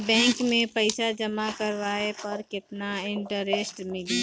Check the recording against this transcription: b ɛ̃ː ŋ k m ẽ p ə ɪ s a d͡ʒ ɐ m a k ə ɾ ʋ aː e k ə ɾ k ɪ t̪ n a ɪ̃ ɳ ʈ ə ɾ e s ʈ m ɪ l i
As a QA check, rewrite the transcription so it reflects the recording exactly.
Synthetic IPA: b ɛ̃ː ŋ k m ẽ p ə ɪ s a d͡ʒ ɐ m a k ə ɾ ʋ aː e p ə ɾ k ɪ t̪ n a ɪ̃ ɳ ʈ ə ɾ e s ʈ m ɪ l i